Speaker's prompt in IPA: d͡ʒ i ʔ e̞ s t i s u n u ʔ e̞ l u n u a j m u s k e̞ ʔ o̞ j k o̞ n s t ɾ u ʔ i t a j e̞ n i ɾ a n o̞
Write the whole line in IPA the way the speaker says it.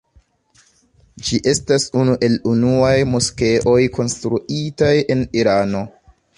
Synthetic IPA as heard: d͡ʒ i ʔ e̞ s t a s u n u ʔ e̞ l u n u a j m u s k e̞ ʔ o̞ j k o̞ n s t ɾ u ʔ i t a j e̞ n i ɾ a n o̞